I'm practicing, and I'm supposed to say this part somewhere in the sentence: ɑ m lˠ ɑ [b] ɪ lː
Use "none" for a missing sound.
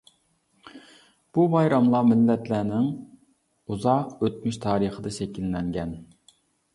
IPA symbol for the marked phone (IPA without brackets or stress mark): m